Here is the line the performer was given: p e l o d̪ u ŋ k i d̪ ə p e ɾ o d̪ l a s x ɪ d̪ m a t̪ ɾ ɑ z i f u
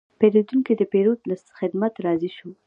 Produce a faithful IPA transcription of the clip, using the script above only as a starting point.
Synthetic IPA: p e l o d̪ u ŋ k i d̪ ə p e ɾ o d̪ l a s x ɪ d̪ m a t̪ ɾ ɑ z i ʃ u